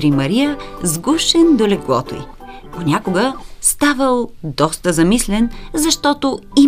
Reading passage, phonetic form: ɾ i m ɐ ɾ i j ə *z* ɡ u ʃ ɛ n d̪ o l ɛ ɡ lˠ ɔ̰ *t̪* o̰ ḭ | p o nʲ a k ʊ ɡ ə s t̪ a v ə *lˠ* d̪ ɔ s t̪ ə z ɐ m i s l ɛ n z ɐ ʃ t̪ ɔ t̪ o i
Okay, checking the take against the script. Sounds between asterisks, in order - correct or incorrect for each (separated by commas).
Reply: correct, correct, correct